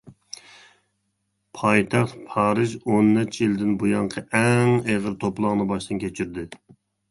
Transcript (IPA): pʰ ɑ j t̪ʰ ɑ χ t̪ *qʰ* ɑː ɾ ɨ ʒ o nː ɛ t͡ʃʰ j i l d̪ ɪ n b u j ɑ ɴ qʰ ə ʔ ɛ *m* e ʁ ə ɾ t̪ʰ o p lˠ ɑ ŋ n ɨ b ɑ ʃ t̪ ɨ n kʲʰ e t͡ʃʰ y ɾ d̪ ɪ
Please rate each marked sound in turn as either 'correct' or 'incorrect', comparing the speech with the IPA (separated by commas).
incorrect, incorrect